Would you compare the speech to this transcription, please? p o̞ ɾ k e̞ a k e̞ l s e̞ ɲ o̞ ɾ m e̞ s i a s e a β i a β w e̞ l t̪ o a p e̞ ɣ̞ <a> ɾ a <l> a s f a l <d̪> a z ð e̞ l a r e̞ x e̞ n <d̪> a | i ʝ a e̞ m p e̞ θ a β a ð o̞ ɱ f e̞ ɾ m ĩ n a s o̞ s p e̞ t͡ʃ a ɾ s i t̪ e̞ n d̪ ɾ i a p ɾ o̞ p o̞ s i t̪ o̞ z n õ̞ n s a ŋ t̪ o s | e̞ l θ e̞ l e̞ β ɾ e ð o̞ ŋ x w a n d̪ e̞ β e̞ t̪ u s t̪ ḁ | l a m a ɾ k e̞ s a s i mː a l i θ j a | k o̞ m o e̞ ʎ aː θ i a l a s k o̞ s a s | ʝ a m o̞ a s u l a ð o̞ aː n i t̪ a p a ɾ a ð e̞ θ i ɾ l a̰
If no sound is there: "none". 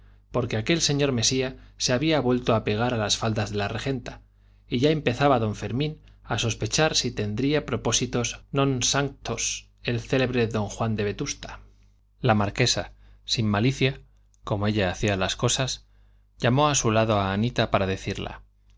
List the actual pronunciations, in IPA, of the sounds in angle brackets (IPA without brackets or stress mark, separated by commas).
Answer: a, l, d̪, t̪